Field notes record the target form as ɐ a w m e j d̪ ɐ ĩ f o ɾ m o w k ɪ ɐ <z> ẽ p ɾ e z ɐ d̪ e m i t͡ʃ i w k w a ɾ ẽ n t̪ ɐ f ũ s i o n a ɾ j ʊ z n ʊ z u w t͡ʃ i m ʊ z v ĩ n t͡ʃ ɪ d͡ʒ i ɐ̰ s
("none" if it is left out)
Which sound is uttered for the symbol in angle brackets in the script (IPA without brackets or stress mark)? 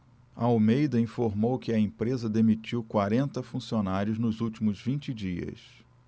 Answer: none